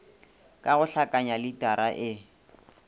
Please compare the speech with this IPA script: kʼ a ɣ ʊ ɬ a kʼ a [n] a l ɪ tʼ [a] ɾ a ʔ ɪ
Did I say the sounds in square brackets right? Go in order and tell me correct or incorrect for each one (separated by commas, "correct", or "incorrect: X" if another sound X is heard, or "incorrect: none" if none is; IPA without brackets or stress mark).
incorrect: ɲ, correct